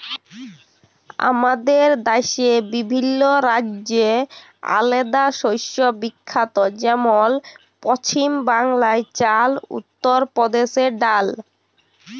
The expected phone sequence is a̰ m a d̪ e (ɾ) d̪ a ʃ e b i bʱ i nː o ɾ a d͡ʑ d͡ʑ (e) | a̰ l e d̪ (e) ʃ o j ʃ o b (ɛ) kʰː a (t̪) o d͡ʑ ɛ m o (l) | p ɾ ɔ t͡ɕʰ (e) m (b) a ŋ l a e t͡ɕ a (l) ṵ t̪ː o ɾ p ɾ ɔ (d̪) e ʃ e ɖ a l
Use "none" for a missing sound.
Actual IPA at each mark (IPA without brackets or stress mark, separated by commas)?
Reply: ɾ, e, a, i, t̪, l, i, b, l, d̪